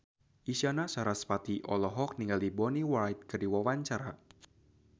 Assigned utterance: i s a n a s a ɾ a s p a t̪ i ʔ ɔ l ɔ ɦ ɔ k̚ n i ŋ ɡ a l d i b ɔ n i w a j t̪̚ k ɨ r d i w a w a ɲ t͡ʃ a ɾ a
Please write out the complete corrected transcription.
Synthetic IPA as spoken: i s a n a s a ɾ a s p a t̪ i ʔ ɔ l ɔ ɦ ɔ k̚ n i ŋ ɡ a l d i b ɔ n i w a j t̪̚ k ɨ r d i w a w a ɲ t͡ʃ a ɾ a